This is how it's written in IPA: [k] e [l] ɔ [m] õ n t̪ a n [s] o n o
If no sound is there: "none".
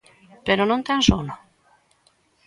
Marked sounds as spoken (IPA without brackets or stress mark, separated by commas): p, ɾ, n, s